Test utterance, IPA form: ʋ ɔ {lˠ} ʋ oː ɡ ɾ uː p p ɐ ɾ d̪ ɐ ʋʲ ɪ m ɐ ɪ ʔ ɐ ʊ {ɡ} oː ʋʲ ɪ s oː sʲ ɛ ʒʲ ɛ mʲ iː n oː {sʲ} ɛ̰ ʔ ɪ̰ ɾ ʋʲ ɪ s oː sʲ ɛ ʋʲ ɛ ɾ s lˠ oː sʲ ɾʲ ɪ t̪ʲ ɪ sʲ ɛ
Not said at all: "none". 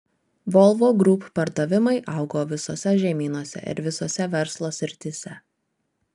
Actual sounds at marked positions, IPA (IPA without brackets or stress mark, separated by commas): lˠ, ɡ, sʲ